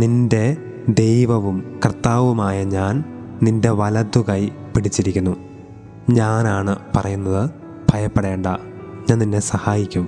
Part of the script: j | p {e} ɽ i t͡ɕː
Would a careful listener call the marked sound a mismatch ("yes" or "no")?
yes